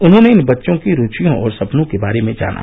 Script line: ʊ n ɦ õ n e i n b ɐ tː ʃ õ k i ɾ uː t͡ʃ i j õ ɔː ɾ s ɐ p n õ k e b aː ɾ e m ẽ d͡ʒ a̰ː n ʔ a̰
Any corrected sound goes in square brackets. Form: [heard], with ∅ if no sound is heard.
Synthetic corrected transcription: ʊ n ɦ õ n e [ɪ] n b ɐ tː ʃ õ k i ɾ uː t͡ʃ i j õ ɔː ɾ s ɐ p n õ k e b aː ɾ e m ẽ d͡ʒ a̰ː n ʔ a̰